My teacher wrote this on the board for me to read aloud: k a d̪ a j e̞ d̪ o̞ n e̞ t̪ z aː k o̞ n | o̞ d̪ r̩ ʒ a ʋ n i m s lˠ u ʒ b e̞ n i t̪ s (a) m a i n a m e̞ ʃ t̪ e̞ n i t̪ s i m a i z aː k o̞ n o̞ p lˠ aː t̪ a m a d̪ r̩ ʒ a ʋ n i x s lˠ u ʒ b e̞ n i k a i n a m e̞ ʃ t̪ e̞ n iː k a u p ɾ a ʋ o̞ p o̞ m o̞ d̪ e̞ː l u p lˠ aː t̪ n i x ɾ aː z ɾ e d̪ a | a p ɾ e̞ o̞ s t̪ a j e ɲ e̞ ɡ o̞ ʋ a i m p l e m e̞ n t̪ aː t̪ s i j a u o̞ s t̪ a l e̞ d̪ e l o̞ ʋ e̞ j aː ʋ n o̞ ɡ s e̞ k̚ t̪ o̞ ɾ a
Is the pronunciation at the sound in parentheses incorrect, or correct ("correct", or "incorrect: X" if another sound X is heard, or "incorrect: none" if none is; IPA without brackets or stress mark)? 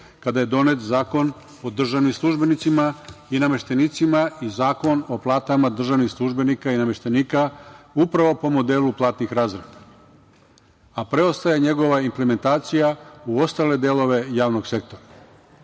incorrect: i